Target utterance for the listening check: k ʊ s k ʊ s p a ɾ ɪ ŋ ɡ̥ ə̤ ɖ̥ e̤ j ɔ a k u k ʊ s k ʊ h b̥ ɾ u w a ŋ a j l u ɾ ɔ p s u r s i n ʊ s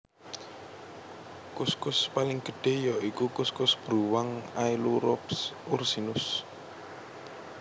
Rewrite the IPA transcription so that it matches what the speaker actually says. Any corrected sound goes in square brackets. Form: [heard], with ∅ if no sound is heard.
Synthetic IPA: k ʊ s k ʊ s p a [l] ɪ ŋ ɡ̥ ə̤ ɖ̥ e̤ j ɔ [i] k u k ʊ s k ʊ [s] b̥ ɾ u w a ŋ a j l u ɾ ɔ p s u r s i n ʊ s